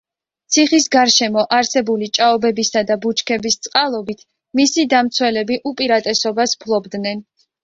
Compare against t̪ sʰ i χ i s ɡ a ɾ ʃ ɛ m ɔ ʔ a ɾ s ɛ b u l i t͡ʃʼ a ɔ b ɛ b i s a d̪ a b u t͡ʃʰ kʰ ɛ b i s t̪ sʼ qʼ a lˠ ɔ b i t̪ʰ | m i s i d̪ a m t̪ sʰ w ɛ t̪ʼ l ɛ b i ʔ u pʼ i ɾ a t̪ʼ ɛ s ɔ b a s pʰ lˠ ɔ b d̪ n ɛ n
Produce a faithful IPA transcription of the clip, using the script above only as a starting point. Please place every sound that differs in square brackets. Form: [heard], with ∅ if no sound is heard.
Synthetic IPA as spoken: t̪ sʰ i χ i s ɡ a ɾ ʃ ɛ m ɔ ʔ a ɾ s ɛ b u l i t͡ʃʼ a ɔ b ɛ b i s a d̪ a b u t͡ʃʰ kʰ ɛ b i s t̪ sʼ qʼ a lˠ ɔ b i t̪ʰ | m i s i d̪ a m t̪ sʰ w ɛ [∅] l ɛ b i ʔ u pʼ i ɾ a t̪ʼ ɛ s ɔ b a s pʰ lˠ ɔ b d̪ n ɛ n

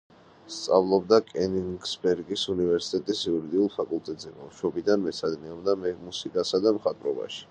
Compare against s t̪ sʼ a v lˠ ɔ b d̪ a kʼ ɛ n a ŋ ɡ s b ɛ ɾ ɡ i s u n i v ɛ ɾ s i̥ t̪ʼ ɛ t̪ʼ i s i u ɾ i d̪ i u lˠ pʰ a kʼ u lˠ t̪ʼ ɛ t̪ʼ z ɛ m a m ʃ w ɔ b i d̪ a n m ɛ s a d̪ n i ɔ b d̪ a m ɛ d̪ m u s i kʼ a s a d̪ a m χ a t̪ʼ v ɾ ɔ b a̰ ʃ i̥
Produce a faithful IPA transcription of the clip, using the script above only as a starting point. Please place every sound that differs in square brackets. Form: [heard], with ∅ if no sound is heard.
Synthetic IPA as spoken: s t̪ sʼ a v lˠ ɔ b d̪ a kʼ ɛ n [i] ŋ ɡ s b ɛ ɾ ɡ i s u n i v ɛ ɾ s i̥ t̪ʼ ɛ t̪ʼ i s i u ɾ i d̪ i u lˠ pʰ a kʼ u lˠ t̪ʼ ɛ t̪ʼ z ɛ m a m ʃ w ɔ b i d̪ a n m ɛ s a d̪ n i ɔ b d̪ a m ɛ [∅] m u s i kʼ a s a d̪ a m χ a t̪ʼ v ɾ ɔ b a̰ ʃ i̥

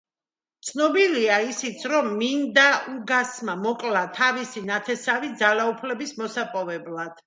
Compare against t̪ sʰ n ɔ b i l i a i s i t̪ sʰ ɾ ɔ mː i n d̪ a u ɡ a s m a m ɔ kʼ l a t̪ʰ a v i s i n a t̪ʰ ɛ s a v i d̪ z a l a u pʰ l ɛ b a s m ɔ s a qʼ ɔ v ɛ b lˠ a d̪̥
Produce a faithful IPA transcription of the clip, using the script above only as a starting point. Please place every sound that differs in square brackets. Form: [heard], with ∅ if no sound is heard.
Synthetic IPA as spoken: t̪ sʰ n ɔ b i l i a i s i t̪ sʰ ɾ ɔ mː i n d̪ a u ɡ a s m a m ɔ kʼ l a t̪ʰ a v i s i n a t̪ʰ ɛ s a v i d̪ z a l a u pʰ l ɛ b [i] s m ɔ s a [pʼ] ɔ v ɛ b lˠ a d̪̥

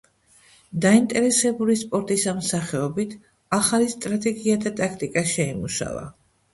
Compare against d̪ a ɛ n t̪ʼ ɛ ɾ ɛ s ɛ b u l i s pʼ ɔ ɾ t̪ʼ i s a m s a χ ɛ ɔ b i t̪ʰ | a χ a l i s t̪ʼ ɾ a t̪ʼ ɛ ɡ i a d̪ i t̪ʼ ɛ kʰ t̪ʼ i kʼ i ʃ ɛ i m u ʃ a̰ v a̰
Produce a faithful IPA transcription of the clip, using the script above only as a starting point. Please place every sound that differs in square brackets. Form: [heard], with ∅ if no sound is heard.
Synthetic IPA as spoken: d̪ a [i] n t̪ʼ ɛ ɾ ɛ s ɛ b u l i s pʼ ɔ ɾ t̪ʼ i s a m s a χ ɛ ɔ b i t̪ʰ | a χ a l i s t̪ʼ ɾ a t̪ʼ ɛ ɡ i a d̪ [a] t̪ʼ [a] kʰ t̪ʼ i kʼ [a] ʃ ɛ i m u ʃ a̰ v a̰

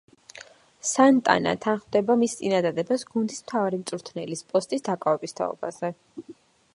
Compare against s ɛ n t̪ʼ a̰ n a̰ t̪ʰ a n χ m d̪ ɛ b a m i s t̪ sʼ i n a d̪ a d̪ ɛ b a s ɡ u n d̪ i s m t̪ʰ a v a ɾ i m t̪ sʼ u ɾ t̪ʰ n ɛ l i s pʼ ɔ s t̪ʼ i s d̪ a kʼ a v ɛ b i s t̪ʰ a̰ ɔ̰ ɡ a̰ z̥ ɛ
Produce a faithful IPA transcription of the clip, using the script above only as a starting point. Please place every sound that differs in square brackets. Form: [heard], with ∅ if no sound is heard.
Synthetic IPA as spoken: s [a] n t̪ʼ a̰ n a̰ t̪ʰ a n χ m d̪ ɛ b a m i s t̪ sʼ i n a d̪ a d̪ ɛ b a s ɡ u n d̪ i s m t̪ʰ a v a ɾ i m t̪ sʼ u ɾ t̪ʰ n ɛ l i s pʼ ɔ s t̪ʼ i s d̪ a kʼ a v ɛ b i s t̪ʰ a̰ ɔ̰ [b] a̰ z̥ ɛ

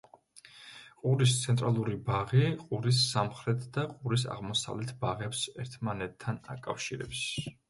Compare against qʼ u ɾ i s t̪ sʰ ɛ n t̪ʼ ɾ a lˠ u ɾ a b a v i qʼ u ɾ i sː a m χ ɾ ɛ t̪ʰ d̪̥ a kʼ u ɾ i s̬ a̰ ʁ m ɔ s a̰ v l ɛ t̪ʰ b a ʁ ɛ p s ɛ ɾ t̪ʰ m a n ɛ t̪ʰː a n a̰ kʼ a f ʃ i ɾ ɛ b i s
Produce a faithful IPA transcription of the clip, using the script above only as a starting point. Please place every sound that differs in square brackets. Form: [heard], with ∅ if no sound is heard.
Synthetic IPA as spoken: qʼ u ɾ i s t̪ sʰ ɛ n t̪ʼ ɾ a lˠ u ɾ [i] b a [ʁ] i qʼ u ɾ i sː a m χ ɾ ɛ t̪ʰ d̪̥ a [qʼ] u ɾ i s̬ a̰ ʁ m ɔ s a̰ v l ɛ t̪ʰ b a ʁ ɛ p s ɛ ɾ t̪ʰ m a n ɛ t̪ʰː a n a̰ kʼ a f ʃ i ɾ ɛ b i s

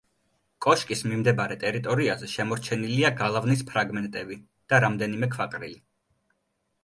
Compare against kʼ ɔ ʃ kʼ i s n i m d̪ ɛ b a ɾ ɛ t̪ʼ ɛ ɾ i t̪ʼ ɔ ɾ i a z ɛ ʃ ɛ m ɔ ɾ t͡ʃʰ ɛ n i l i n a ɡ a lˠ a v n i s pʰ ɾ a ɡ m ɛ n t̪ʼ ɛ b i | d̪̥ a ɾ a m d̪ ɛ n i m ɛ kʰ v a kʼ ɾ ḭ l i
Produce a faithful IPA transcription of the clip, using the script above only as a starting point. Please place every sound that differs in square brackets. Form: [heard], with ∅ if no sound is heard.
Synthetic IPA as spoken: kʼ ɔ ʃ kʼ i s [m] i m d̪ ɛ b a ɾ ɛ t̪ʼ ɛ ɾ i t̪ʼ ɔ ɾ i a z ɛ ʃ ɛ m ɔ ɾ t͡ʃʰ ɛ n i l i [∅] a ɡ a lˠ a v n i s pʰ ɾ a ɡ m ɛ n t̪ʼ ɛ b i | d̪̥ a ɾ a m d̪ ɛ n i m ɛ kʰ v a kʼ ɾ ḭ l i

